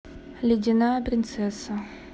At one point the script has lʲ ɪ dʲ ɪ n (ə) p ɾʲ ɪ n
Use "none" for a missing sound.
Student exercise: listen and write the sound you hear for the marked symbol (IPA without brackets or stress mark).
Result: a